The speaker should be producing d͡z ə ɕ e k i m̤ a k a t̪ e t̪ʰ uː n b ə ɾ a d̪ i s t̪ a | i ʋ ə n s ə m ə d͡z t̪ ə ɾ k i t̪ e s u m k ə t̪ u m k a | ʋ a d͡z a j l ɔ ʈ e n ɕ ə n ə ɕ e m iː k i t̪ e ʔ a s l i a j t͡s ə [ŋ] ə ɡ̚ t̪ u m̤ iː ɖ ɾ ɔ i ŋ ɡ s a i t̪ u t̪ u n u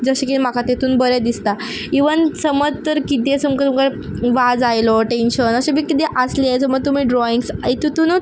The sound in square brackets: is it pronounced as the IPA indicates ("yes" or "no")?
no